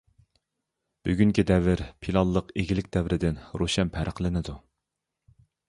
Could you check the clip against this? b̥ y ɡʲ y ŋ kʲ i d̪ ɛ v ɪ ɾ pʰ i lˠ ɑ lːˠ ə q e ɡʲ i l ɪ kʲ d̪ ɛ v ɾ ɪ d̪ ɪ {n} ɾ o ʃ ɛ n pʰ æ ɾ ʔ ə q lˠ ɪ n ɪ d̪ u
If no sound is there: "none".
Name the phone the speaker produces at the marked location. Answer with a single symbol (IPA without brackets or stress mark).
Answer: n